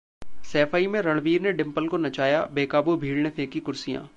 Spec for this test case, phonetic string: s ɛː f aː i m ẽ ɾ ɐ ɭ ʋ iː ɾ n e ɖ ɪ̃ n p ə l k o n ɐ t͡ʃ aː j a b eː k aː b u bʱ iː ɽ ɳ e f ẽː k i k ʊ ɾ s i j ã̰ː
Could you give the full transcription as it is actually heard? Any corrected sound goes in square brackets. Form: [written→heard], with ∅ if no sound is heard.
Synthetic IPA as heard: s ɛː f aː i m ẽ ɾ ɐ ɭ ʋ iː ɾ n e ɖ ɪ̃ [n→m] p ə l k o n ɐ t͡ʃ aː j a b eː k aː b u bʱ iː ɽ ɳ e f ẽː k i k ʊ ɾ s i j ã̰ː